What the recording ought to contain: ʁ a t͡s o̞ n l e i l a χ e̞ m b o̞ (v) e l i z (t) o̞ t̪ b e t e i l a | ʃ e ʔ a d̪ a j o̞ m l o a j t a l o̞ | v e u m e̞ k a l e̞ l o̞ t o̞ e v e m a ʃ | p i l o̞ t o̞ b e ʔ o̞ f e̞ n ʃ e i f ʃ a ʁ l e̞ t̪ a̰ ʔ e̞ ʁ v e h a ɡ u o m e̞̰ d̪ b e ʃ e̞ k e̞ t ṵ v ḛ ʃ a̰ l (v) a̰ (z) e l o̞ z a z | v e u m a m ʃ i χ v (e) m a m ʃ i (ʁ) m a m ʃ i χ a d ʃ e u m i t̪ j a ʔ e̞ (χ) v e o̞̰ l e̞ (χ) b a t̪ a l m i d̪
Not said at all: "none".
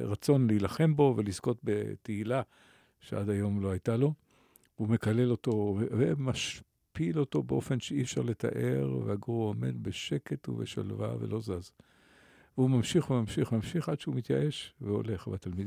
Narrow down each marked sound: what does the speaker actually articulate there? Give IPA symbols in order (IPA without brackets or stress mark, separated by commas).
v, k, v, v, e, χ, ʃ, χ